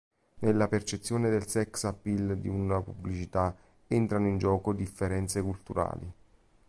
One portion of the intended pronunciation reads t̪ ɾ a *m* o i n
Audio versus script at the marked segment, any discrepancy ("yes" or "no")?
yes